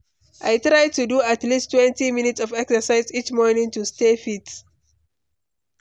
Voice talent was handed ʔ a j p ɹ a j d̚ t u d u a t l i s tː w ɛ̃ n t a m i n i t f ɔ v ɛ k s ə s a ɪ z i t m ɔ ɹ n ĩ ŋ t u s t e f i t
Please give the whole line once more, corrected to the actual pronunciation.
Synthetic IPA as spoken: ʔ a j t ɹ a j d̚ t u d u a t l i s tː w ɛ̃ n t i m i n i t s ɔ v ɛ k s ə s a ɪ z i t͡ʃ m ɔ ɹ n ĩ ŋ t u s t e f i t